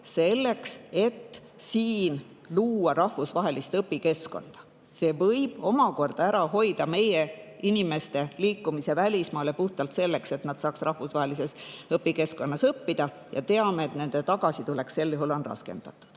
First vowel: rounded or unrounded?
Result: unrounded